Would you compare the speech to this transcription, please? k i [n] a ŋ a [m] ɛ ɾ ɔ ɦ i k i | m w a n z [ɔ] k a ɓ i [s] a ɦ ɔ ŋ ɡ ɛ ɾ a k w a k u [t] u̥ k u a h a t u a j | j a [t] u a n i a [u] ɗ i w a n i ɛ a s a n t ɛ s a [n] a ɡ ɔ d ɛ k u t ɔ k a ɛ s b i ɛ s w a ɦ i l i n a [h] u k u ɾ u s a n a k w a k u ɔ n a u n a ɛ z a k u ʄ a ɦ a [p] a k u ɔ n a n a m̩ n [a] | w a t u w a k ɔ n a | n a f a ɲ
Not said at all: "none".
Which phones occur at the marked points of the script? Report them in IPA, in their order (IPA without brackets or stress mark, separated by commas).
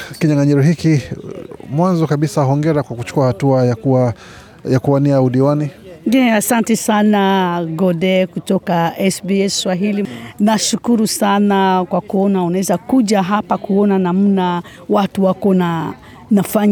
ɲ, ɲ, ɔ, s, t͡ʃ, k, u, n, ʃ, p, a